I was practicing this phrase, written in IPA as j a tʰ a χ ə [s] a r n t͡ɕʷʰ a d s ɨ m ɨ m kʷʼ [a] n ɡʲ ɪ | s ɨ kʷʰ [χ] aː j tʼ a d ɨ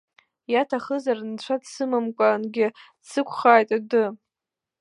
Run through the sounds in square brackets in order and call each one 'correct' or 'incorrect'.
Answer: incorrect, correct, correct

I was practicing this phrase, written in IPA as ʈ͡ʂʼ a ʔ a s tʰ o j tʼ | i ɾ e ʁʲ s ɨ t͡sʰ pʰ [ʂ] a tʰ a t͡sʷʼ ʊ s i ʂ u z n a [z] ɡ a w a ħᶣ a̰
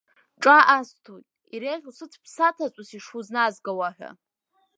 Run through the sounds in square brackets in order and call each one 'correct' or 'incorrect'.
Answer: incorrect, correct

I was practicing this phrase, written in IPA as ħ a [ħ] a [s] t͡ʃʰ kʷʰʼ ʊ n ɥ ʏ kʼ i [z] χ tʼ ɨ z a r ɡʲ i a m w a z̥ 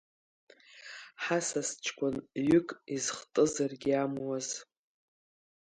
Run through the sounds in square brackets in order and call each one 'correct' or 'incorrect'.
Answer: incorrect, correct, correct

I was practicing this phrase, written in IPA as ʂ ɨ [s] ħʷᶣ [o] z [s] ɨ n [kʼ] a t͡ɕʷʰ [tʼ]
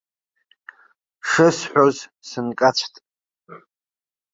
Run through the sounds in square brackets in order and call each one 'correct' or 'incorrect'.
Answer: correct, correct, correct, correct, correct

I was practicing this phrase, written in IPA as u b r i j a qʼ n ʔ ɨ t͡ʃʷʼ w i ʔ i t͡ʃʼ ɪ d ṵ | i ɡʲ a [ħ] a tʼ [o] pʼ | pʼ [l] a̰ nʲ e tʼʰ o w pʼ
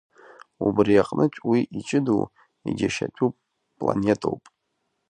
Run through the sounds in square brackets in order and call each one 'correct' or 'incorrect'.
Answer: incorrect, incorrect, correct

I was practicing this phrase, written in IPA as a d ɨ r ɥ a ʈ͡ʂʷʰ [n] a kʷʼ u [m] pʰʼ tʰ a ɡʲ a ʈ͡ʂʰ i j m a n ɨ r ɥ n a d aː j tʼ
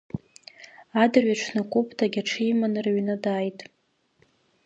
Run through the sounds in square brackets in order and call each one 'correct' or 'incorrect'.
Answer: correct, incorrect

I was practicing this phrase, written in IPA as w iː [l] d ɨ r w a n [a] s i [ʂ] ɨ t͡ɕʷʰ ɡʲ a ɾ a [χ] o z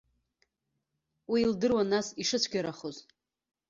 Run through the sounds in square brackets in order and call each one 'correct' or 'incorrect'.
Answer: correct, correct, correct, correct

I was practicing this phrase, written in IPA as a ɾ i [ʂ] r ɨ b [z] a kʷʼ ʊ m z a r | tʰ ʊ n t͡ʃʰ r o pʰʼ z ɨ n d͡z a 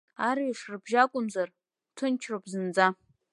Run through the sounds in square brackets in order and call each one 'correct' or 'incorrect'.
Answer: correct, incorrect

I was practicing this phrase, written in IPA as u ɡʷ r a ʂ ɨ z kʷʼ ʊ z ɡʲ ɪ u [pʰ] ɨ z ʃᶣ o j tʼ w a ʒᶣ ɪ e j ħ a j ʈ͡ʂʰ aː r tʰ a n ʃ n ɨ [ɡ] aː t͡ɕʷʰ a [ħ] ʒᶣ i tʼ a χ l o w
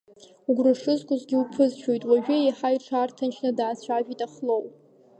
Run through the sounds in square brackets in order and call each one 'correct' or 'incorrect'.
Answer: correct, incorrect, incorrect

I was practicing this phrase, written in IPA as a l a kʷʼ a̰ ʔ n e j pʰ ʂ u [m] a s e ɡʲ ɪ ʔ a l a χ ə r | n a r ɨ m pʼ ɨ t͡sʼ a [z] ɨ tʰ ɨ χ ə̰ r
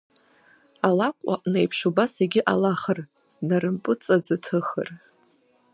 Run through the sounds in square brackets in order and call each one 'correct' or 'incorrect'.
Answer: incorrect, incorrect

